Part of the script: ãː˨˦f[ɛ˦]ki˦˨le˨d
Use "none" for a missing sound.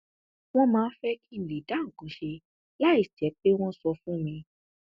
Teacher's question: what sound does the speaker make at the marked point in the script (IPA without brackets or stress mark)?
ɛ˦